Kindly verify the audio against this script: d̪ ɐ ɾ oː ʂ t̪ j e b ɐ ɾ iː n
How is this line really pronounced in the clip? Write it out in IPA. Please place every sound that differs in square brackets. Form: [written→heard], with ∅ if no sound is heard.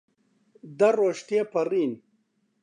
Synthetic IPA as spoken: d̪ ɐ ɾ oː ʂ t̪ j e [b→p] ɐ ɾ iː n